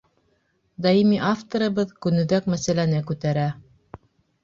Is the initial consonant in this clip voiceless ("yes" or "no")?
no